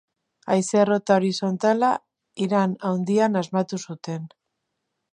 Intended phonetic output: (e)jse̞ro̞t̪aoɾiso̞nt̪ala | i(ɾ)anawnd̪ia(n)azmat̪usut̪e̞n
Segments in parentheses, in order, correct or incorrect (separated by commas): incorrect, correct, correct